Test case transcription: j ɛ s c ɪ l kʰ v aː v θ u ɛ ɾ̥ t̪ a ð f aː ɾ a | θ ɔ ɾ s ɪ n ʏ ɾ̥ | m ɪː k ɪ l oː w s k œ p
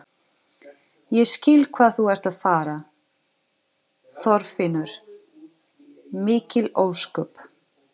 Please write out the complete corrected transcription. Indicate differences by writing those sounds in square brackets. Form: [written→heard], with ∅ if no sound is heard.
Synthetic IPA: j ɛ s c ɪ l kʰ v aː [v→ð] θ u ɛ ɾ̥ t̪ a ð f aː ɾ a | θ ɔ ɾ [s→f] ɪ n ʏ ɾ̥ | m ɪː [k→c] ɪ l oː w s k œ p